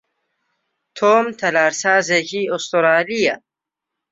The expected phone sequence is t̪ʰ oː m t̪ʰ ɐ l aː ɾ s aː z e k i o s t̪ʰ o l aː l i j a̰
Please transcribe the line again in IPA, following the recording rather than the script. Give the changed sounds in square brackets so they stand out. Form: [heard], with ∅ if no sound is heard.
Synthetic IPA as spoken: t̪ʰ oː m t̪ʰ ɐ l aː ɾ s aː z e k i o s [t̪] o [ɾ] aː l i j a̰